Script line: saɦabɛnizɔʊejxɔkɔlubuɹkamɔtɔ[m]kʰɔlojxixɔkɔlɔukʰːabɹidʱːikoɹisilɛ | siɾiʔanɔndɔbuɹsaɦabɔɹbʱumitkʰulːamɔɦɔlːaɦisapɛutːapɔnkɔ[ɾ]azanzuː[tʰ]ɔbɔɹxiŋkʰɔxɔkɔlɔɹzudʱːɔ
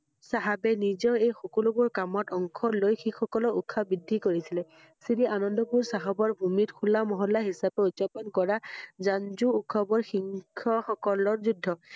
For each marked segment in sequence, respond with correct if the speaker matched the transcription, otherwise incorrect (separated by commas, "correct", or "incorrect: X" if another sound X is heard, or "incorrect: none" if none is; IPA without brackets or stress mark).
incorrect: ŋ, incorrect: ɹ, incorrect: kʰ